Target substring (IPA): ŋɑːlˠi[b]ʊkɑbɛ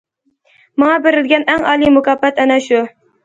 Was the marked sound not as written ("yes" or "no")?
yes